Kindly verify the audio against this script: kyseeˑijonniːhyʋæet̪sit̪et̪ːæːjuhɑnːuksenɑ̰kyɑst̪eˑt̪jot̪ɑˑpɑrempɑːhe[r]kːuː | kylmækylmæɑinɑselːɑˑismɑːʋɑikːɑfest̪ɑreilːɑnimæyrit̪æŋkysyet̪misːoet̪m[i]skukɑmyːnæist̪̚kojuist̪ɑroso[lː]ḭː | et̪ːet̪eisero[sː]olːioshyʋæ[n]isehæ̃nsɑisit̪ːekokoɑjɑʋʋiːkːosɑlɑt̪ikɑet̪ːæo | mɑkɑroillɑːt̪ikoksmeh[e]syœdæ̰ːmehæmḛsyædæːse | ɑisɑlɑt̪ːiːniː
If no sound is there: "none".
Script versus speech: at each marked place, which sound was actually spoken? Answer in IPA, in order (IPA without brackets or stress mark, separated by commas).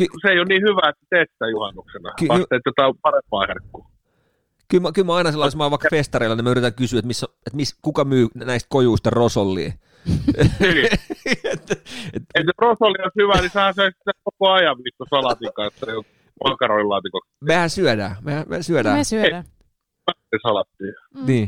r, i, lː, s, n, æ